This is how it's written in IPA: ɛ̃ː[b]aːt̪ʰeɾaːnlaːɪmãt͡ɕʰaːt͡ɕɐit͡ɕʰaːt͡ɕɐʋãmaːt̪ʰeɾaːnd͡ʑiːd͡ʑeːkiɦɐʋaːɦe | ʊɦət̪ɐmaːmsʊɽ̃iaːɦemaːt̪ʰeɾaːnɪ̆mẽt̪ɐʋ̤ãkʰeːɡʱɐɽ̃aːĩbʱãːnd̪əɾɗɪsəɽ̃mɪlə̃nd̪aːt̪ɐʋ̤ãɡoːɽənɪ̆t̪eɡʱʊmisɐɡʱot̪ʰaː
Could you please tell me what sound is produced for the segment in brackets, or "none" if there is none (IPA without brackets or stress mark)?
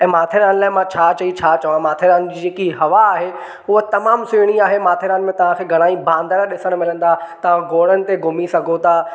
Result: m